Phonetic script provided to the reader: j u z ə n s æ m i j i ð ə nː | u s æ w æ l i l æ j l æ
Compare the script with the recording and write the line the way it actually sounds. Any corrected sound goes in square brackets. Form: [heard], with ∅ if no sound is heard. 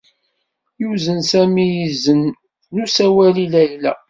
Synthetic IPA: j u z ə n s æ m i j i [z] ə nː | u s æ w æ l i l æ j l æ